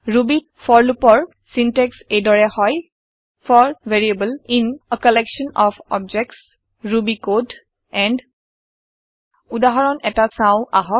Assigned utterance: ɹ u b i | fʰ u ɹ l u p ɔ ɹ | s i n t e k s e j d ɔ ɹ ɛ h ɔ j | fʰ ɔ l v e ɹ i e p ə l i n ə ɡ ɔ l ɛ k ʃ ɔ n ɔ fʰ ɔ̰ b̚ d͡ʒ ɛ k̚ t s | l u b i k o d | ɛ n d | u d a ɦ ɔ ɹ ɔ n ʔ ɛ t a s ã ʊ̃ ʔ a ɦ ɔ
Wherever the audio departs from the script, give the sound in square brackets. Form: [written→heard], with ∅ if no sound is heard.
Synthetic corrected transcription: ɹ u b i | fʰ [u→ɔ] ɹ l u p ɔ ɹ | s i n t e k s e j d ɔ ɹ ɛ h ɔ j | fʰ ɔ [l→ɹ] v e ɹ i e [p→b] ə l i n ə [ɡ→k] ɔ l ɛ k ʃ ɔ n ɔ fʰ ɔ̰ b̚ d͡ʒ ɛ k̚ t s | [l→ɹ] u b i k o d | ɛ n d | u d a ɦ ɔ ɹ ɔ n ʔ ɛ t a s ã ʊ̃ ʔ a ɦ ɔ

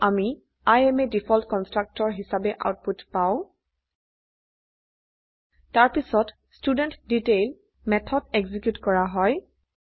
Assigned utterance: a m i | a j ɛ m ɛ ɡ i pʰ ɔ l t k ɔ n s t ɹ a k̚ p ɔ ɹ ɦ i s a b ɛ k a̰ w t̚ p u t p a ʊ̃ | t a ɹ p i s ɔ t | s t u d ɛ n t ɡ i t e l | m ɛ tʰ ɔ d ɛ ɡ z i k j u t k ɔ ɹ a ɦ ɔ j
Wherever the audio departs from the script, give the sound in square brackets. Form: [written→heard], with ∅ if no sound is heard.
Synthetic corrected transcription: a m i | a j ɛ m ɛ [ɡ→d] i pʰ ɔ l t k ɔ n s t ɹ a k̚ [p→t] ɔ ɹ ɦ i s a b ɛ [k→ʔ] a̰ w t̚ p u t p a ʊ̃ | t a ɹ p i s ɔ t | s t u d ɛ n t [ɡ→d] i t e l | m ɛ tʰ ɔ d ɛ ɡ z i k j u t k ɔ ɹ a ɦ ɔ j

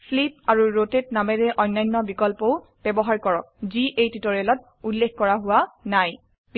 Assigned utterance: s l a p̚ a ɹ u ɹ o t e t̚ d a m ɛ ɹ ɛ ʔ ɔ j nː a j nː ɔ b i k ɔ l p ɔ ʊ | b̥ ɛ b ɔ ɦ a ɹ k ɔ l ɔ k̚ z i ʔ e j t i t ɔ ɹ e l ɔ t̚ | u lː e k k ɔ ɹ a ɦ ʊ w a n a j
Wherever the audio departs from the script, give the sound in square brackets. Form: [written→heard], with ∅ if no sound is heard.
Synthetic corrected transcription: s l [a→i] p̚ a ɹ u ɹ o t e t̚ [d→n] a m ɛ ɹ ɛ ʔ ɔ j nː a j nː ɔ b i k ɔ l p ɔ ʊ | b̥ ɛ b ɔ ɦ a ɹ k ɔ [l→ɹ] ɔ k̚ z i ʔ e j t i t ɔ ɹ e l ɔ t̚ | u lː e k k ɔ ɹ a ɦ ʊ w a n a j

